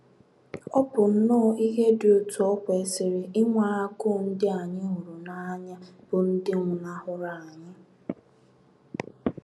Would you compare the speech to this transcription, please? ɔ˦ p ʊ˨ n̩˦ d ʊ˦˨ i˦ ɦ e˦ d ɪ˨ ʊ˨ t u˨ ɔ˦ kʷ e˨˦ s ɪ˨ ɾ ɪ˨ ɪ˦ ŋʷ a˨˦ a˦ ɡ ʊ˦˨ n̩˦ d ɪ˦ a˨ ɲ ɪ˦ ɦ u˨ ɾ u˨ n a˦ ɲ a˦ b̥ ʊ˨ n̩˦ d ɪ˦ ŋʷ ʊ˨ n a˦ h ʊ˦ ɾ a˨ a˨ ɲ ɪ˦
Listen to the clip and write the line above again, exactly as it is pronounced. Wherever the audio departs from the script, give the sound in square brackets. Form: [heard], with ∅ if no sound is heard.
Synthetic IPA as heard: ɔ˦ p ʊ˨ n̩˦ [n] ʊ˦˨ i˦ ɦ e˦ d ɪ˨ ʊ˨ t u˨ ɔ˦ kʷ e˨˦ s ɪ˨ ɾ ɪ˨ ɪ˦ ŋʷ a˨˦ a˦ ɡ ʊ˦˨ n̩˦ d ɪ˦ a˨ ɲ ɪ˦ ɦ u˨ ɾ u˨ n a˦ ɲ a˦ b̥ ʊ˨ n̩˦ d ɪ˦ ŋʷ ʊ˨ n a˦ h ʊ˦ ɾ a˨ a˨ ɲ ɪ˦